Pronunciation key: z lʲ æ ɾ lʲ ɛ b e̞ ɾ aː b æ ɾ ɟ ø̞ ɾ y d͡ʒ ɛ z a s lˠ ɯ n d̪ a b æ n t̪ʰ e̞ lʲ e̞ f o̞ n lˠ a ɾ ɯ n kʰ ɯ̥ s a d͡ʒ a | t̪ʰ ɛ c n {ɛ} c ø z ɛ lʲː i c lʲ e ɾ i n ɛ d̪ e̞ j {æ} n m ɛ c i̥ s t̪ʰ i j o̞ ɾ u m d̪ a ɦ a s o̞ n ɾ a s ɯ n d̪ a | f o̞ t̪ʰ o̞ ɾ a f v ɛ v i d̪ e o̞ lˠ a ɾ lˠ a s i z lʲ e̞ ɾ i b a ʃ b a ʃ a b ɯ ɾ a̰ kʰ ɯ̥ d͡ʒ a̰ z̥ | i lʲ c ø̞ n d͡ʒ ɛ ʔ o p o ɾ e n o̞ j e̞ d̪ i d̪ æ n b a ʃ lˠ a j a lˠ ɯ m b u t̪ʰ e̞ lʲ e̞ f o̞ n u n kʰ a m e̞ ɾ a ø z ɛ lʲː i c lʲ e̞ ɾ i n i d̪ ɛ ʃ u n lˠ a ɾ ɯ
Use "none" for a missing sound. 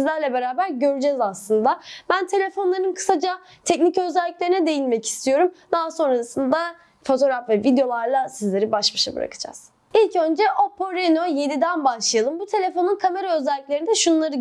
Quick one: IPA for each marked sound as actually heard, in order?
i, i

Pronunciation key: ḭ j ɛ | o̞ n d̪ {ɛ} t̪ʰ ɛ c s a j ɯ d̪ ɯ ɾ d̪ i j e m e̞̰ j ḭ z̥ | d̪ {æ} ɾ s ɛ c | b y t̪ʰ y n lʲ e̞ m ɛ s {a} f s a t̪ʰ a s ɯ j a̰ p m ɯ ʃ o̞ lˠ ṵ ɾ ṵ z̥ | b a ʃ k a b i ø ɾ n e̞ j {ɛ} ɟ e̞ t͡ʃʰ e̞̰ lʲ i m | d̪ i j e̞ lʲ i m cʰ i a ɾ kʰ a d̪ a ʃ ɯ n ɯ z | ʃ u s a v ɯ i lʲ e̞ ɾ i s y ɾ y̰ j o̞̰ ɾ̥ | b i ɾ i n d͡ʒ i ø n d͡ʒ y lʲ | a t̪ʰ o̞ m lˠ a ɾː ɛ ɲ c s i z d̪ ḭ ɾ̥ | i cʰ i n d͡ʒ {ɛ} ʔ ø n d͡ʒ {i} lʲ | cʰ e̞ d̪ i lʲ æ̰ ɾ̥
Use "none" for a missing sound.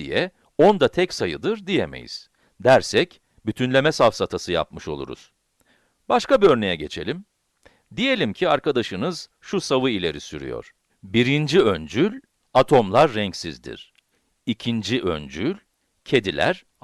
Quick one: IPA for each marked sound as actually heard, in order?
a, æ, a, ɛ, i, y

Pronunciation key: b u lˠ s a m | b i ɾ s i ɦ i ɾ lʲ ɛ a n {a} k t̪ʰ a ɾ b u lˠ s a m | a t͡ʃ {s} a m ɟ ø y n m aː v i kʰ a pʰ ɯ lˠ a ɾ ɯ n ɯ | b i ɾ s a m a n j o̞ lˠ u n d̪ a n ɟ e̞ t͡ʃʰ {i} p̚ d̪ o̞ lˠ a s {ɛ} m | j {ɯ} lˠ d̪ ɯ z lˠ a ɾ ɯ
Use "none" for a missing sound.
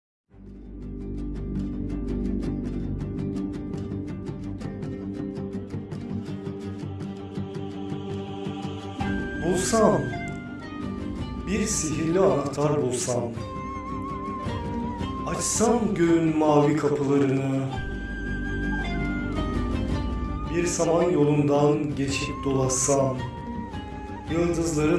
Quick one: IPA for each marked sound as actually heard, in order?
a, s, i, a, ɯ

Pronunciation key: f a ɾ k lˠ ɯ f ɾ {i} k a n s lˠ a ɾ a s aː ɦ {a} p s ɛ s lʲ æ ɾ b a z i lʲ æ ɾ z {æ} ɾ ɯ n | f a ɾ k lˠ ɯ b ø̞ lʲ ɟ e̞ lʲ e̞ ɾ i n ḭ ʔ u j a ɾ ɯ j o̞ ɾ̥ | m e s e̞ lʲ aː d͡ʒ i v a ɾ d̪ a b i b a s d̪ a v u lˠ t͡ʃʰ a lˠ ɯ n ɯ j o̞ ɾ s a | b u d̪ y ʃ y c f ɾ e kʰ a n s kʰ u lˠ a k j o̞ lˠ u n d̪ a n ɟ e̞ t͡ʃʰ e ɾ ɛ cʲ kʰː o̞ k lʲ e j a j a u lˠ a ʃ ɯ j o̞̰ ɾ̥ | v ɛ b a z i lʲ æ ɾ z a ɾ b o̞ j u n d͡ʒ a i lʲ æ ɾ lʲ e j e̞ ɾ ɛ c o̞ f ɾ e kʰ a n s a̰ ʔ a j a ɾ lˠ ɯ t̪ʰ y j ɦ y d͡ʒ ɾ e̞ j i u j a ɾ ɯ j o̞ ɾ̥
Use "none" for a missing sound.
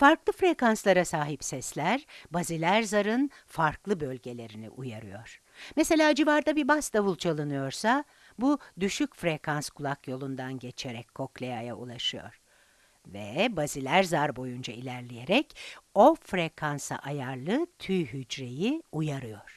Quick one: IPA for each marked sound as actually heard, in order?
e, i, a

